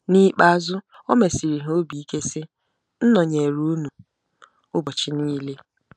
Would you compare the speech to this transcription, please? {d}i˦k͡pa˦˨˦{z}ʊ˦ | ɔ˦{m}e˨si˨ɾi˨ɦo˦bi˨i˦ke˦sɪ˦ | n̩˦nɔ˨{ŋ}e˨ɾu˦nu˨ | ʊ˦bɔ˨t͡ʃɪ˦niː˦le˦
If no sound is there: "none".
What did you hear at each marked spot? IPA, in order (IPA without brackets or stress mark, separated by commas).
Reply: n, z, m, ɲ